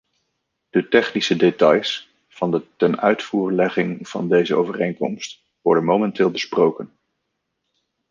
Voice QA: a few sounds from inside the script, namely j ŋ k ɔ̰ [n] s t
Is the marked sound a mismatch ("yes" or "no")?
yes